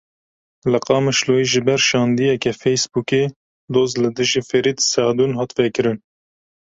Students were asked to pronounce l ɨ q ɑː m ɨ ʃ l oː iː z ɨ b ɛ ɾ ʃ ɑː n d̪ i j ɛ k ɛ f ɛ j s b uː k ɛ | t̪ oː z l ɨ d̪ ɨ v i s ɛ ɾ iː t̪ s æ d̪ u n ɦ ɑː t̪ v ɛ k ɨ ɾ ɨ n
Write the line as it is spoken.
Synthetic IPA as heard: l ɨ q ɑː m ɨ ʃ l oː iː ʒ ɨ b ɛ ɾ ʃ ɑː n d̪ i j ɛ k ɛ f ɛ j s b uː k e | d̪ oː z l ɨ d̪ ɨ ʒ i f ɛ ɾ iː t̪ s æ d̪ u n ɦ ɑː t̪ v ɛ k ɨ ɾ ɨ n